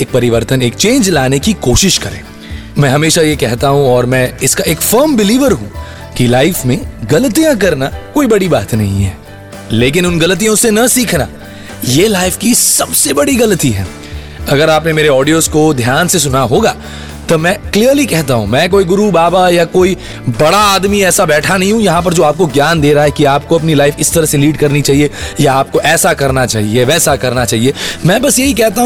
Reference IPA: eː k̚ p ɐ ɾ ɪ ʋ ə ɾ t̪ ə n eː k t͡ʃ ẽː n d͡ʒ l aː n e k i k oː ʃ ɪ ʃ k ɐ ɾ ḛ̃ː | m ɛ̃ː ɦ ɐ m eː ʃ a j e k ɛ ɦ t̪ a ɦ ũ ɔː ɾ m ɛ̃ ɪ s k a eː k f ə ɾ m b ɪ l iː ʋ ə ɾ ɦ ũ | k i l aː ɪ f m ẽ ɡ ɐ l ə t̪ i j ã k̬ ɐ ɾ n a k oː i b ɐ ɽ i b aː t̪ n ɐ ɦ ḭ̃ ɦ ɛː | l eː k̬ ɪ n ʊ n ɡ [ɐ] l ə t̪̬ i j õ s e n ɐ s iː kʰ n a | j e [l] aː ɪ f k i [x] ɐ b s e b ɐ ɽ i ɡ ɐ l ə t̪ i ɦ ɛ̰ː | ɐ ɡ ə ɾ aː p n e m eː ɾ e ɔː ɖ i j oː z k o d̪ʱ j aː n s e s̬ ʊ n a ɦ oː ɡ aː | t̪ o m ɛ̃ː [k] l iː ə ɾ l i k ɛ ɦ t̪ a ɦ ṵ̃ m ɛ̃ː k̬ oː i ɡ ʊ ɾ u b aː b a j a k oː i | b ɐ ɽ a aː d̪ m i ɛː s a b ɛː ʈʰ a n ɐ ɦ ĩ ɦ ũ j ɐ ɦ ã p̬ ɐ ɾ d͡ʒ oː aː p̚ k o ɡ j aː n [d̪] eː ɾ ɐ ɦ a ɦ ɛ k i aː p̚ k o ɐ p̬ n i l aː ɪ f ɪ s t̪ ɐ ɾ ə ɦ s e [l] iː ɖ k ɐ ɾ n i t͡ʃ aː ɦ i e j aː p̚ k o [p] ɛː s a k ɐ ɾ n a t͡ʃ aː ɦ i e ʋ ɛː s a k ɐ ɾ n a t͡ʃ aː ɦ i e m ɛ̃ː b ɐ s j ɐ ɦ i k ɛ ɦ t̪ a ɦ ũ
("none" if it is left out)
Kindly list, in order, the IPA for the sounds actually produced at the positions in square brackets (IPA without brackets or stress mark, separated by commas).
ɐ, l, s, k, d̪, l, ʔ